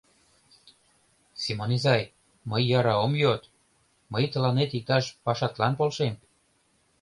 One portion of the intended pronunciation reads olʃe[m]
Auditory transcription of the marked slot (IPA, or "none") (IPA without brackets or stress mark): m